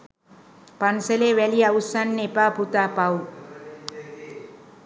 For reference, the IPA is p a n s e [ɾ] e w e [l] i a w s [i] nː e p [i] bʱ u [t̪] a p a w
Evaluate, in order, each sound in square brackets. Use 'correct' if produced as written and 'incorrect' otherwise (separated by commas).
incorrect, correct, incorrect, incorrect, correct